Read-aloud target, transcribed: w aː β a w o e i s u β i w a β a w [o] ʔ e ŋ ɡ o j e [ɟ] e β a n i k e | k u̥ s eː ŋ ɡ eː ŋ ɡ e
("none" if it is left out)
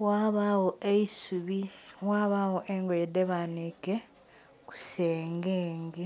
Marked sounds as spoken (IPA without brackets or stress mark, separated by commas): o, d